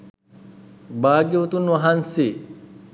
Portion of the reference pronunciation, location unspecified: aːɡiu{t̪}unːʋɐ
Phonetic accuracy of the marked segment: correct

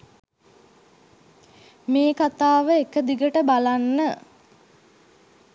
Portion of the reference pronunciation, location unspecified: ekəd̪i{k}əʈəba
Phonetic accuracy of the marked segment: incorrect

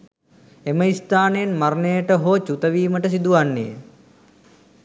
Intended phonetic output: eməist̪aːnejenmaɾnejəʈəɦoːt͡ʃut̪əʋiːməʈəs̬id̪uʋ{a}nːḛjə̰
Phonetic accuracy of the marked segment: correct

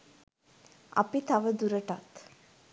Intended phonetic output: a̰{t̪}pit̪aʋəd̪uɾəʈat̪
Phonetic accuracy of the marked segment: incorrect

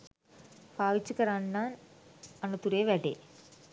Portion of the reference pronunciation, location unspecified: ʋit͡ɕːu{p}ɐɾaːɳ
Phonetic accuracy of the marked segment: incorrect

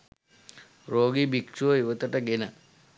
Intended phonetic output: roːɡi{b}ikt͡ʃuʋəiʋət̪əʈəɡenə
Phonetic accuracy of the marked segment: correct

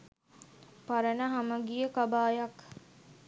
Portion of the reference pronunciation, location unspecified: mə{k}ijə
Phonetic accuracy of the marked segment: incorrect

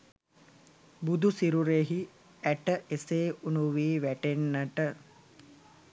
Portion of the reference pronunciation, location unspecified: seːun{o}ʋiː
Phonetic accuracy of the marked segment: incorrect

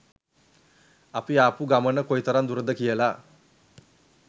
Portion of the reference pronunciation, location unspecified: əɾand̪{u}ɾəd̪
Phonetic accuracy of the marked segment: correct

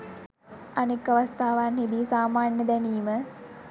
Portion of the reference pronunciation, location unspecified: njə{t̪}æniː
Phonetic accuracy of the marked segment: incorrect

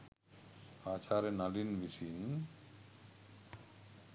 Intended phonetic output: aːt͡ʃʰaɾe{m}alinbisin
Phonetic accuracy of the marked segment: incorrect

